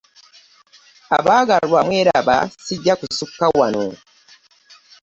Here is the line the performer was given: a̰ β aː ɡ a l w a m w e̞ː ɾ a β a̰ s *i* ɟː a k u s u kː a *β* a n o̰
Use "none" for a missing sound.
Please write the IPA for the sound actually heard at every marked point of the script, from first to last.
i, w

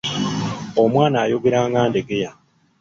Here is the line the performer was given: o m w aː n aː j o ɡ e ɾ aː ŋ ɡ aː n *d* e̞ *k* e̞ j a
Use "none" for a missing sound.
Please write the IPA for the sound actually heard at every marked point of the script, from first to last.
d, ɡ

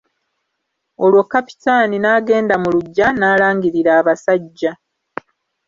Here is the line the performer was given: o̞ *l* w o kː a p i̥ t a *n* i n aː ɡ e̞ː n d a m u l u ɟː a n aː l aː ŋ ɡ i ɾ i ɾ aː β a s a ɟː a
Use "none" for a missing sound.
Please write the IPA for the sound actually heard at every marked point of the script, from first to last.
l, n

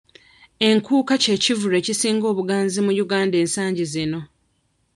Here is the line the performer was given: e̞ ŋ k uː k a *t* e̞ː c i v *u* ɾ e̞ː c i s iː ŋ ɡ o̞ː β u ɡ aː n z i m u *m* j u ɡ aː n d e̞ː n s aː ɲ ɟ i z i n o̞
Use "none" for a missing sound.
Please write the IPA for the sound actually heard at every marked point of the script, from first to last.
c, u, none

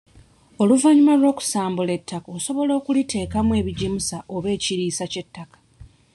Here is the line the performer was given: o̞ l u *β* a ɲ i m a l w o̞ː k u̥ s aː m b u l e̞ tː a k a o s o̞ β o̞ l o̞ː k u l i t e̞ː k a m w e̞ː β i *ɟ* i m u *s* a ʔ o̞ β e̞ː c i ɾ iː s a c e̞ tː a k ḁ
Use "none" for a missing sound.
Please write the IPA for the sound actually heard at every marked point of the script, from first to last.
v, ɟ, s

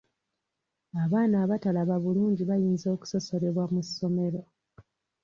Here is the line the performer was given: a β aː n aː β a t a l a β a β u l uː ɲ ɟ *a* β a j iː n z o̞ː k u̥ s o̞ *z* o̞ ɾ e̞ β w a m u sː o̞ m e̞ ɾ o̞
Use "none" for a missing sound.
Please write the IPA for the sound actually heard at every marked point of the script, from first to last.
i, s

